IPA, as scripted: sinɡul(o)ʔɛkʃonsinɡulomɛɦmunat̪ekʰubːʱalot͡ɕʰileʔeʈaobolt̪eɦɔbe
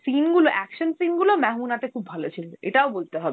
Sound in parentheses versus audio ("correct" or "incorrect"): correct